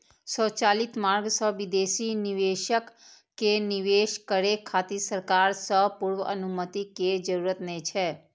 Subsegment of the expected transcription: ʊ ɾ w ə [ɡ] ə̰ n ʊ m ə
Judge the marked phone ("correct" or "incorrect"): incorrect